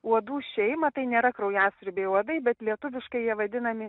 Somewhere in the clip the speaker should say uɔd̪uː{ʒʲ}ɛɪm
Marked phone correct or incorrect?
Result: incorrect